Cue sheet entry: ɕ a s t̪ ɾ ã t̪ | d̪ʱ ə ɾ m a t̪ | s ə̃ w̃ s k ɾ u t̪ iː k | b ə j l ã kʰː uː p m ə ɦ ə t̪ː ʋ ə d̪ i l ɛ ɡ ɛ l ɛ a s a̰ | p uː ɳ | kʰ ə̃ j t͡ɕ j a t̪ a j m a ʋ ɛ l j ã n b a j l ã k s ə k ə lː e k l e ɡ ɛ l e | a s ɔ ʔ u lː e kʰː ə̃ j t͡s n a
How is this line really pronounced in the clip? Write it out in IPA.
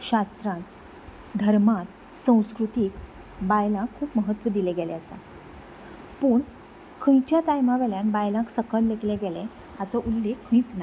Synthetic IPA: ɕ a s t̪ ɾ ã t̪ | d̪ʱ ə ɾ m a t̪ | s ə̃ w̃ s k ɾ u t̪ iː k | b a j l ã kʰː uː p m ə ɦ ə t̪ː ʋ ə d̪ i l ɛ ɡ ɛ l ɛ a s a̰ | p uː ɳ | kʰ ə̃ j t͡ɕ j a t̪ a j m a ʋ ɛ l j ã n b a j l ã k s ə k ə lː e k l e ɡ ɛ l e | a t͡s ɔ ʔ u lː e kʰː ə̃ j t͡s n a